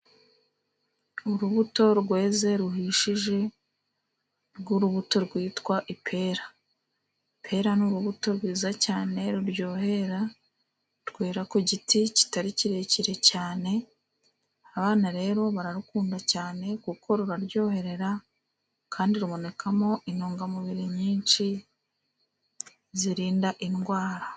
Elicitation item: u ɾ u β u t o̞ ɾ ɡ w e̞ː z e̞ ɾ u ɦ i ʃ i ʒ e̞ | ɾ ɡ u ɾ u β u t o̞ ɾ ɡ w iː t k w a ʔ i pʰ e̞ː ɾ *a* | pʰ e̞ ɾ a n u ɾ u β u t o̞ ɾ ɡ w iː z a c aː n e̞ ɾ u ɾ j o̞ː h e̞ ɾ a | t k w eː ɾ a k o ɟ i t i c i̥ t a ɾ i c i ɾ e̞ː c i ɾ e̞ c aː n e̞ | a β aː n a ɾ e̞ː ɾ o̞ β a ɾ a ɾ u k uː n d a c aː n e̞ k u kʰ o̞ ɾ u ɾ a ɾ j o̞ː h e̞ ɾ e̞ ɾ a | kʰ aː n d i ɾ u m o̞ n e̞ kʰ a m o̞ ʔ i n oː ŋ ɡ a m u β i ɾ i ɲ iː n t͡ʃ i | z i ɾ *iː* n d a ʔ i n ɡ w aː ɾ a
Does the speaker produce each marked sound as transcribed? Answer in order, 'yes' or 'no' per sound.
yes, yes

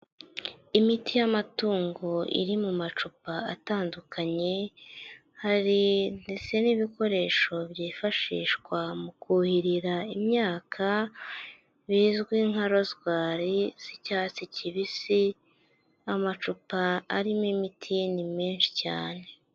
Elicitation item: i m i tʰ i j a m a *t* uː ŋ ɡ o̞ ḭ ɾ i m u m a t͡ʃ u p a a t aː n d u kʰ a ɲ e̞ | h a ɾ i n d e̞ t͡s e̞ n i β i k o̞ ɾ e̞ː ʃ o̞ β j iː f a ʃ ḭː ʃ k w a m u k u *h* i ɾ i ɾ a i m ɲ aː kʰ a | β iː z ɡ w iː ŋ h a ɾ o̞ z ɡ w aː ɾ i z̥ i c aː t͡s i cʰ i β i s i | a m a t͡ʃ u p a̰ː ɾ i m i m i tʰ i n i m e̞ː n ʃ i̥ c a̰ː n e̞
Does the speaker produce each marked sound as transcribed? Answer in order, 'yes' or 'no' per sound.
yes, yes

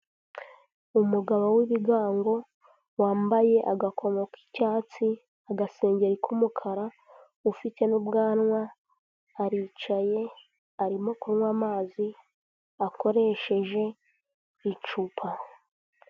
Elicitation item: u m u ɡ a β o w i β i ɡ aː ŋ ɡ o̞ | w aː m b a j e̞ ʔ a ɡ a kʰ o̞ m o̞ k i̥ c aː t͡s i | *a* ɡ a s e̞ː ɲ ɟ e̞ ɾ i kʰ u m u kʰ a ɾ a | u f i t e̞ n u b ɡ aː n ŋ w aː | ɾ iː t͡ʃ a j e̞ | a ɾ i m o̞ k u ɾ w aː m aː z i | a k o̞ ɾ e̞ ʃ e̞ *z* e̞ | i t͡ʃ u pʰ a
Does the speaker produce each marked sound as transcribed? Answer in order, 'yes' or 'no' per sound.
yes, no

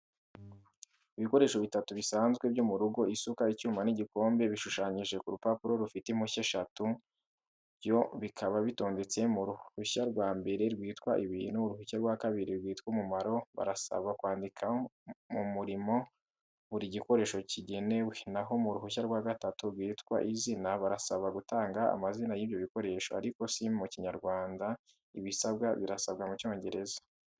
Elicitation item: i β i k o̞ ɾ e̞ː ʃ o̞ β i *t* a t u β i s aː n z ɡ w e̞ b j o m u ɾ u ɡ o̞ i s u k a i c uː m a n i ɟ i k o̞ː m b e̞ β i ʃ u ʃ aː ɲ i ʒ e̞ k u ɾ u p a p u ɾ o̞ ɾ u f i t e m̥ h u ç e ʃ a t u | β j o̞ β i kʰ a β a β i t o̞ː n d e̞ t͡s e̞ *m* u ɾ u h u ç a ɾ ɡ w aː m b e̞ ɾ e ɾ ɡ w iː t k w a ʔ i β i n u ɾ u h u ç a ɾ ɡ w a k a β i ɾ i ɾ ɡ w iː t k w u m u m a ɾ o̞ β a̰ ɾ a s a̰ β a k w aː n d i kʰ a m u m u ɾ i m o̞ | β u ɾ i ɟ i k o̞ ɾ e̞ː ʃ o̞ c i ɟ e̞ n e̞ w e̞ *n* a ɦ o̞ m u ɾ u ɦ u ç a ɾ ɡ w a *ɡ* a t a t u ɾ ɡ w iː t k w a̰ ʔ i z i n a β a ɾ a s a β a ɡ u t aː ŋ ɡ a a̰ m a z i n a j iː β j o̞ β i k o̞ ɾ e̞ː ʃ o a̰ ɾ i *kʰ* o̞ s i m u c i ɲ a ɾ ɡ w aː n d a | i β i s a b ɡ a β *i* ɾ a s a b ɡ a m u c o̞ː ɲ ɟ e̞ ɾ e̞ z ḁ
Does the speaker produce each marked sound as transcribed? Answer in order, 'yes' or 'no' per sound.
yes, yes, yes, yes, no, yes

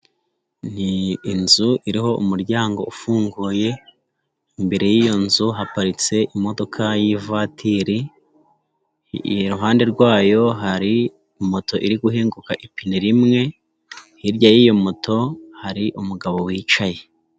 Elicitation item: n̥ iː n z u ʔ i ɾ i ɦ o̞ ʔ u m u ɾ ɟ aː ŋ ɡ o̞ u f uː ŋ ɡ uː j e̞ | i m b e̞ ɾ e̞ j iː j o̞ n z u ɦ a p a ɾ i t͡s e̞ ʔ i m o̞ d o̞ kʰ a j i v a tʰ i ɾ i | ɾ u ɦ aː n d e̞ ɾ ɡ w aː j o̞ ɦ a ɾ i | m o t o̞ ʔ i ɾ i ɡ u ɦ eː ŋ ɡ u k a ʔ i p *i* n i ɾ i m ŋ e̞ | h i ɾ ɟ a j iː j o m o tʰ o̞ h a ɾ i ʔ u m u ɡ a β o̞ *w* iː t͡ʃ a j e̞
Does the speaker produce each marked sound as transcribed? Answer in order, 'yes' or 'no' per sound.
yes, yes

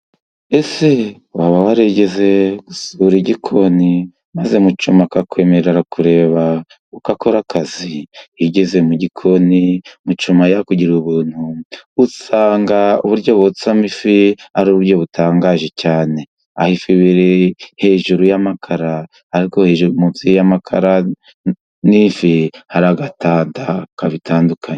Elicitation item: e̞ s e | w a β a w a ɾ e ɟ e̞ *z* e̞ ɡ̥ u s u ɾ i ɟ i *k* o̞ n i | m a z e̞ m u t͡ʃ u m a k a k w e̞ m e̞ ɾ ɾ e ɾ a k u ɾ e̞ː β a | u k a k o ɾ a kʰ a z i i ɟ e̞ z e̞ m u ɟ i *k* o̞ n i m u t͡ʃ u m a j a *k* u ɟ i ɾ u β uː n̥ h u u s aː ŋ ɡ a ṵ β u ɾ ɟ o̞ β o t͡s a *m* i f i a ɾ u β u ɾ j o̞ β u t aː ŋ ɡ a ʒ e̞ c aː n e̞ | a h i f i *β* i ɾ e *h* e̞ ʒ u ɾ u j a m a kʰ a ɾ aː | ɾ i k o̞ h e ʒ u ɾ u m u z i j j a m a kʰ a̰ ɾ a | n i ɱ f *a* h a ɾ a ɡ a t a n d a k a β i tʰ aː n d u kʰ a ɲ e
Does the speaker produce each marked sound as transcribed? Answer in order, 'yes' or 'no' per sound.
yes, no, no, yes, yes, yes, yes, no

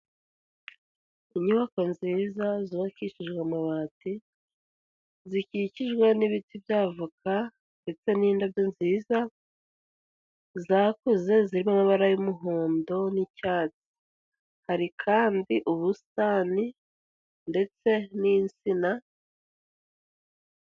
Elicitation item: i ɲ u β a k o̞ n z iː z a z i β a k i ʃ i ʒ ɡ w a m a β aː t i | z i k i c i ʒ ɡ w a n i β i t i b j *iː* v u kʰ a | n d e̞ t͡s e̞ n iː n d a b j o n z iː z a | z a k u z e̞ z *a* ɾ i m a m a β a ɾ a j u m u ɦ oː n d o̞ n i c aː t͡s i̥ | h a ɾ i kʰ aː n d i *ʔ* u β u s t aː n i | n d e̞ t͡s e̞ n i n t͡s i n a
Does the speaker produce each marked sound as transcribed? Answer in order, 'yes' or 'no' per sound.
no, no, yes

